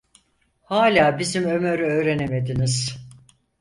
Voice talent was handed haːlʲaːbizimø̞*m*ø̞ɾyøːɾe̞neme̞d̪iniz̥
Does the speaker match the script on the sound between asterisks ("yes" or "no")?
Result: yes